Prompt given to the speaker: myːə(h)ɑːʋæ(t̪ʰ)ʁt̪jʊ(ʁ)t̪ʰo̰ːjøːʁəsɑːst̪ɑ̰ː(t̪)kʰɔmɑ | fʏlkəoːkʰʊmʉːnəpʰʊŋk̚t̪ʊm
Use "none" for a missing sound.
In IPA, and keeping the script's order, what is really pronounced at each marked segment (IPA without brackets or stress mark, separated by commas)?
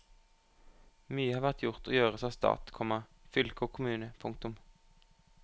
h, none, ʁ, t̪